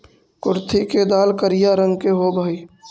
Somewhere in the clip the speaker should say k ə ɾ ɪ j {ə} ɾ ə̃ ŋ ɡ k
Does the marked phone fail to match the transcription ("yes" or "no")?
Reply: yes